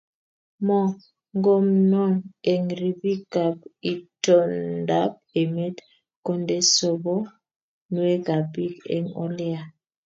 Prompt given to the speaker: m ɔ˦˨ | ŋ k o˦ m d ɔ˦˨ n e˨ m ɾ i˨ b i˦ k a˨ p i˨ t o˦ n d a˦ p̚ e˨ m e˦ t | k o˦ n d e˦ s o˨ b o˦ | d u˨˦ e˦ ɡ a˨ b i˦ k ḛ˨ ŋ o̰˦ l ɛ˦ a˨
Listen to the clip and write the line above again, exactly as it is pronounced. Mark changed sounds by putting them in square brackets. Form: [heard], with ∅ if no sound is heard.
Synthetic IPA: m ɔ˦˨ | ŋ [ɡ] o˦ m [n] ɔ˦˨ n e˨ [ŋ] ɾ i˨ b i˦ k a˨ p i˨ t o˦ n d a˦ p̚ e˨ m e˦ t | k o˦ n d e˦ s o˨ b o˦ | [n] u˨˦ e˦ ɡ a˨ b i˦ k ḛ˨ ŋ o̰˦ l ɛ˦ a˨